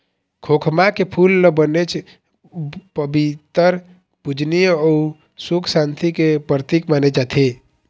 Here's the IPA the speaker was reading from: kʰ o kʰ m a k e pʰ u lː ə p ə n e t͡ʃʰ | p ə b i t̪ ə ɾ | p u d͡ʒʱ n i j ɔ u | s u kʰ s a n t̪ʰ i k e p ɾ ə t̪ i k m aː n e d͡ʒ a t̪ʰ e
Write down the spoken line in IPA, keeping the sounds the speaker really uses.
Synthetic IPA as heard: kʰ o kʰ m a k e pʰ u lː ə b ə n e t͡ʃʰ | p ə b i t̪ ə ɾ | p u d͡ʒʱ n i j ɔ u | s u kʰ s a n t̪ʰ i k e p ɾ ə t̪ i k m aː n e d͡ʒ a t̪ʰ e